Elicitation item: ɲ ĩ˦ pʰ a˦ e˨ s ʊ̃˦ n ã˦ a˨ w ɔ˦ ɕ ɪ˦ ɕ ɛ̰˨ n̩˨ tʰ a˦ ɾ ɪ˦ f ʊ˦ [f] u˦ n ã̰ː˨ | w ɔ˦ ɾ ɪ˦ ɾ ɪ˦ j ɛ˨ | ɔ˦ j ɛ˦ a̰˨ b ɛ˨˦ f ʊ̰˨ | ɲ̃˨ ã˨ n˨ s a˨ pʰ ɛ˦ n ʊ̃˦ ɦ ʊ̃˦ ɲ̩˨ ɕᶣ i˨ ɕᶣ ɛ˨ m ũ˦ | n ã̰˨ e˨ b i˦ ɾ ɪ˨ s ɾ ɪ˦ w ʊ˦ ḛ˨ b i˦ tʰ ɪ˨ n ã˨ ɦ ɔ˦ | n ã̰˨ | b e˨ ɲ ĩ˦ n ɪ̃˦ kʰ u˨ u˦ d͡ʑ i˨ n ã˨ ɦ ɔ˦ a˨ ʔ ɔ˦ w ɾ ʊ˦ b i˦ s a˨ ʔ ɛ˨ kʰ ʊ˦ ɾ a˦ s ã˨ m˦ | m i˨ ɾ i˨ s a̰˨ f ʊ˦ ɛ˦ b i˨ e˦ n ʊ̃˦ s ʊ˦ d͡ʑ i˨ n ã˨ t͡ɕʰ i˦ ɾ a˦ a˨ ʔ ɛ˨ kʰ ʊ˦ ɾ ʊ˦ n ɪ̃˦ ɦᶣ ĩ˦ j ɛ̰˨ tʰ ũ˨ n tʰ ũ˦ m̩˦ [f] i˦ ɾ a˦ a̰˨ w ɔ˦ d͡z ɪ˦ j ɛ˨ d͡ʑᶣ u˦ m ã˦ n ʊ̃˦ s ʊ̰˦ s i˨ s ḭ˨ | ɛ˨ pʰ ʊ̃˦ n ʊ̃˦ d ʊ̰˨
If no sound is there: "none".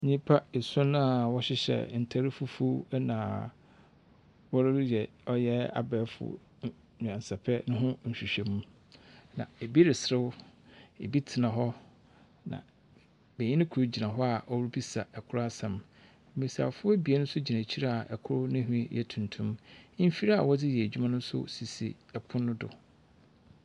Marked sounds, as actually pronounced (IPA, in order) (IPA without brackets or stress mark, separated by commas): f, f